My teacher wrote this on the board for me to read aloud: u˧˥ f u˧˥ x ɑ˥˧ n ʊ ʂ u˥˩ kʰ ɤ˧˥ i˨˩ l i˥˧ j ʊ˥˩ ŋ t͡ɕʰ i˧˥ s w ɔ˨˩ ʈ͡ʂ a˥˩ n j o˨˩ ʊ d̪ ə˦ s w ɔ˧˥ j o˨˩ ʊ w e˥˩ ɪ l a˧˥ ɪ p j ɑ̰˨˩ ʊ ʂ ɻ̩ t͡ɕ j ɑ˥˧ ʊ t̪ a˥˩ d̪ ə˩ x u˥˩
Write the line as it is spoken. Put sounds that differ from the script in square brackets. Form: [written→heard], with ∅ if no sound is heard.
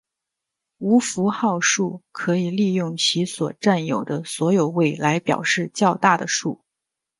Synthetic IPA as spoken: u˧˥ f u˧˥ x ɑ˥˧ [n→∅] ʊ ʂ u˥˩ kʰ ɤ˧˥ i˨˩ l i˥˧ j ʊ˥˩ ŋ t͡ɕʰ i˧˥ s w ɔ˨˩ ʈ͡ʂ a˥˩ n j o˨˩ ʊ d̪ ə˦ s w ɔ˧˥ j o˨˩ ʊ w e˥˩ ɪ l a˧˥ ɪ p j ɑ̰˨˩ ʊ ʂ ɻ̩ t͡ɕ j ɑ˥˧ ʊ t̪ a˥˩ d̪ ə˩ [x→ʂ] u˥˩